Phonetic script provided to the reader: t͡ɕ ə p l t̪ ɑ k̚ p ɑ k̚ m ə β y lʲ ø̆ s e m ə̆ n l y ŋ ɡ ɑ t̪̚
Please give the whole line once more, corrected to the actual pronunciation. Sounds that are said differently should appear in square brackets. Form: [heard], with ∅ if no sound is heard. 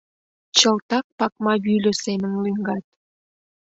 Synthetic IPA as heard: t͡ɕ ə [∅] l t̪ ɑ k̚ p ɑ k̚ m [ɑ] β y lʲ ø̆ s e m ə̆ n l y ŋ ɡ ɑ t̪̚